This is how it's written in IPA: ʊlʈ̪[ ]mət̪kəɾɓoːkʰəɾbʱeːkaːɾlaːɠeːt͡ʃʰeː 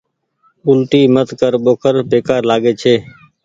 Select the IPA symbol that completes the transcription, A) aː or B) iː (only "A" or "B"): B